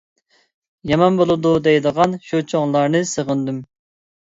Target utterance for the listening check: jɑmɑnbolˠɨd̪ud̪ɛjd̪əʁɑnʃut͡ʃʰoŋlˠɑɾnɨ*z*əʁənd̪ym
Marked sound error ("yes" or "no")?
yes